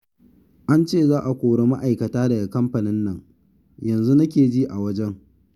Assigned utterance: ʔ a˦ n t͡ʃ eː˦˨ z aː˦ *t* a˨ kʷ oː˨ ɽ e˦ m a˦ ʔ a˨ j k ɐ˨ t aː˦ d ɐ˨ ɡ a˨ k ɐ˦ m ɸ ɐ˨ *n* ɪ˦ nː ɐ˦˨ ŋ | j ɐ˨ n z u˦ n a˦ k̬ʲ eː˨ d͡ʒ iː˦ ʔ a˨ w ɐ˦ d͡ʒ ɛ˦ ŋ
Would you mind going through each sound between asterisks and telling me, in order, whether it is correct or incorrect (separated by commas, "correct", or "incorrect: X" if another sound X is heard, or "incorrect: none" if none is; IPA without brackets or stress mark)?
incorrect: ʔ, correct